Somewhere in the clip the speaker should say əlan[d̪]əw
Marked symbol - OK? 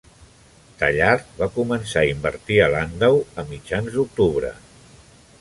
yes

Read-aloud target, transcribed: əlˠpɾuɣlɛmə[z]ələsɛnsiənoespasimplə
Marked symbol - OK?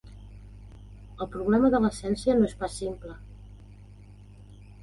no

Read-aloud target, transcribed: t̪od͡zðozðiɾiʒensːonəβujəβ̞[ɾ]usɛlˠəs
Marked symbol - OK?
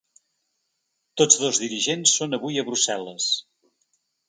yes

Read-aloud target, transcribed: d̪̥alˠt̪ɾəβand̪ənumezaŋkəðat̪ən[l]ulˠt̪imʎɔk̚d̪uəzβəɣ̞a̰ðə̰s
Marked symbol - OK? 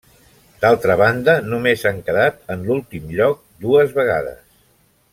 yes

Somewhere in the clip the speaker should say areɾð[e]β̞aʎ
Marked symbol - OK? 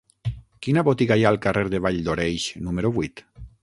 yes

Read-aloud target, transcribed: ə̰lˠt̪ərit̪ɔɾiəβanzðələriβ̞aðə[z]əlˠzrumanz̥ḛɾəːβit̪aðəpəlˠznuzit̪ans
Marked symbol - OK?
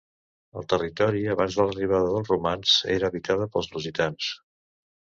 no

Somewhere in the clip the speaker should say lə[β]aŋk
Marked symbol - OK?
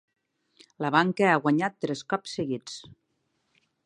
yes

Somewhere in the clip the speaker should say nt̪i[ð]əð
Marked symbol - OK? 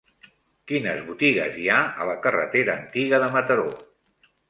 no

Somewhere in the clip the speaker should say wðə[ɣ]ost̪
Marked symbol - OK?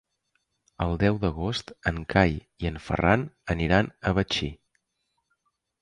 yes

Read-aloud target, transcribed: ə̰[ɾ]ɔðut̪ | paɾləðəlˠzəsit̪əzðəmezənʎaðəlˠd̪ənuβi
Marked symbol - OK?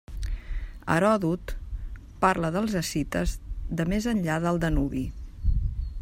yes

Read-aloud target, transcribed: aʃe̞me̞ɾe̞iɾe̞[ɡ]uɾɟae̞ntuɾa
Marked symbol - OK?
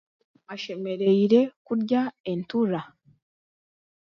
no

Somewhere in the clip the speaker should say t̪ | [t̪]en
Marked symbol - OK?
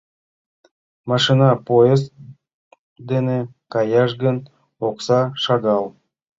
no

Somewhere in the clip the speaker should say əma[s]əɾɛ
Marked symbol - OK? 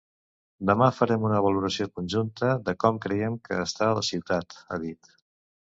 no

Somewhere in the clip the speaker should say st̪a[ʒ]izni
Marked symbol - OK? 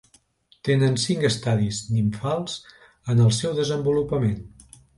no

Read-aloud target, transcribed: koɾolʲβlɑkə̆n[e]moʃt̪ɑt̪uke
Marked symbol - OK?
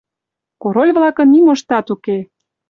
no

